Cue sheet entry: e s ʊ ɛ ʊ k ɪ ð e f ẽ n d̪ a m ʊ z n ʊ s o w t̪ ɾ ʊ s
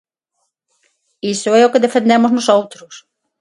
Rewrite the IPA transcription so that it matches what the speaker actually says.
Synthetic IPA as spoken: i s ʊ ɛ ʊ k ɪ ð e f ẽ n d̪ e m ʊ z n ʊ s o w t̪ ɾ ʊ s